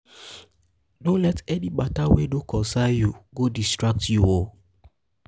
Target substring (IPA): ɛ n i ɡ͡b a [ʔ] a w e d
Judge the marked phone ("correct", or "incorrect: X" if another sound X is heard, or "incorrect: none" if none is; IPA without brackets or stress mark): incorrect: t